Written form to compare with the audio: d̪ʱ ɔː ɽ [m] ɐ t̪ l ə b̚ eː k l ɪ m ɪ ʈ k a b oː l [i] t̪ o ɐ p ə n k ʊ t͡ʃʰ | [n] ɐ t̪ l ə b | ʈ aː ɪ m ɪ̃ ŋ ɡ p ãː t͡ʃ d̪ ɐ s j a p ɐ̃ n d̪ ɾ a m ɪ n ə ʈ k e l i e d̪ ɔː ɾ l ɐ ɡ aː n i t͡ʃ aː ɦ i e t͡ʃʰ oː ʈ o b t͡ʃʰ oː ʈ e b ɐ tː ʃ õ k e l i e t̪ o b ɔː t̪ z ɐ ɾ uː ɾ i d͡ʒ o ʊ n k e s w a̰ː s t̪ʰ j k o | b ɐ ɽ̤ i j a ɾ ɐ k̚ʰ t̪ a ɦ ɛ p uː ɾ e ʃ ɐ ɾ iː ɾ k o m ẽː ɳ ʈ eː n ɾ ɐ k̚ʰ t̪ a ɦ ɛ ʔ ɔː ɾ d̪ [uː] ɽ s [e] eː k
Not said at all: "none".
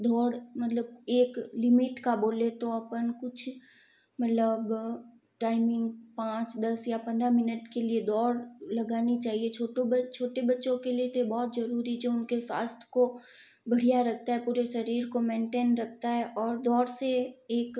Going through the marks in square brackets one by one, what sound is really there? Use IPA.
m, e, m, ɔː, e

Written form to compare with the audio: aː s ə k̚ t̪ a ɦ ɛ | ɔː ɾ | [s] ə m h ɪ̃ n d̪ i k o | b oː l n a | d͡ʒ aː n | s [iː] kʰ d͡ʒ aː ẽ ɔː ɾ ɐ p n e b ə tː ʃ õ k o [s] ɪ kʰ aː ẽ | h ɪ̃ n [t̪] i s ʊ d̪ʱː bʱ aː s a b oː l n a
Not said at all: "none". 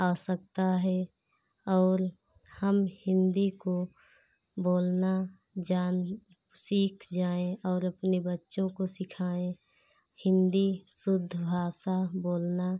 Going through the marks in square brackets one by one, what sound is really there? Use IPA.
h, iː, s, d̪

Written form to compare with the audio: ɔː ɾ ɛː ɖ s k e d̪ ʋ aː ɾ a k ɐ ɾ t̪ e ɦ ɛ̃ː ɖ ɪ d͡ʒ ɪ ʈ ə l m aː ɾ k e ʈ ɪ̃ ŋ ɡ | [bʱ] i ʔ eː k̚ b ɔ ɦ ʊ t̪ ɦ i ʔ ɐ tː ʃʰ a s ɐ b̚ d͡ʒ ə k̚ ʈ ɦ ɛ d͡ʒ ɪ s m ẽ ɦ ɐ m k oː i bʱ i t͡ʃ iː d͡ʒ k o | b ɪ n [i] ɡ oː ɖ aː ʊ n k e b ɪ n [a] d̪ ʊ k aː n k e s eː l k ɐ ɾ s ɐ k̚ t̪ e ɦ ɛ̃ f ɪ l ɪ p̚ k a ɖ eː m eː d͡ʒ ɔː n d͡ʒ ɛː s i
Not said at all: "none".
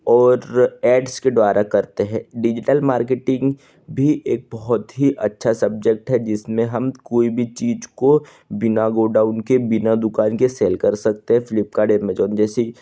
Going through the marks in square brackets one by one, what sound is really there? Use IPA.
bʱ, a, a

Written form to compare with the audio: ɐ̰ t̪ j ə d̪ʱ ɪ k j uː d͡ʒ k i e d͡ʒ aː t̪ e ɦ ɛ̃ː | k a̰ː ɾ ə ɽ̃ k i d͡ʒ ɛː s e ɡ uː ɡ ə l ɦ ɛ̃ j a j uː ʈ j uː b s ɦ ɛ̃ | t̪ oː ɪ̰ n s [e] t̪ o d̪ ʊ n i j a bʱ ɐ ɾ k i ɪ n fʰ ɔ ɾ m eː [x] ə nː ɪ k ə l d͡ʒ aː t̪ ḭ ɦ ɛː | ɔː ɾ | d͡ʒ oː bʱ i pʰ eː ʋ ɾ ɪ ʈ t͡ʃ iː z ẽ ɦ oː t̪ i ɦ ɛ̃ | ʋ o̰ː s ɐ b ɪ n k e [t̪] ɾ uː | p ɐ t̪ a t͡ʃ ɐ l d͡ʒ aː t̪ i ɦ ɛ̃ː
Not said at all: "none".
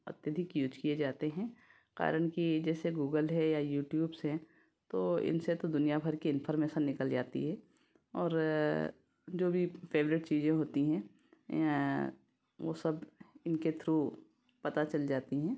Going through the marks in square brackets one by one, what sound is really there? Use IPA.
e, ʃ, t̪ʰ

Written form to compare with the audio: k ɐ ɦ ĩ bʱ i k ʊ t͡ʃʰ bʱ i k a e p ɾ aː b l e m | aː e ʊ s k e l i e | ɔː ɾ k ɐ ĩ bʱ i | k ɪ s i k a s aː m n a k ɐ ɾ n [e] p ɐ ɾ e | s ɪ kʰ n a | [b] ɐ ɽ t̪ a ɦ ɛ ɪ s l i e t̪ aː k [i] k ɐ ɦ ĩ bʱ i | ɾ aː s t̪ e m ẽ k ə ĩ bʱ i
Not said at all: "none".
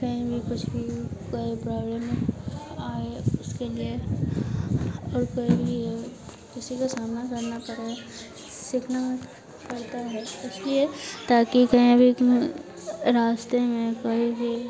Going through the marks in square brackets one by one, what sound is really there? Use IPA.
a, p, i

